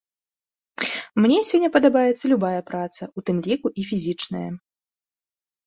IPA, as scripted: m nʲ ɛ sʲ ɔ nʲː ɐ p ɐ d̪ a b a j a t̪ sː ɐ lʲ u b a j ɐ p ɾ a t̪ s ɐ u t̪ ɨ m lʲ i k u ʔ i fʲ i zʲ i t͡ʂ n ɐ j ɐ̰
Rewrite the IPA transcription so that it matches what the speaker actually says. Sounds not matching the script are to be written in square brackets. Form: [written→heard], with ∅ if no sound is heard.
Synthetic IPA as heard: m nʲ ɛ sʲ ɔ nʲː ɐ p ɐ d̪ a b a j [a→ɛ] t̪ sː ɐ lʲ u b a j ɐ p ɾ a t̪ s ɐ u t̪ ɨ m lʲ i k u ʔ i fʲ i zʲ i t͡ʂ n ɐ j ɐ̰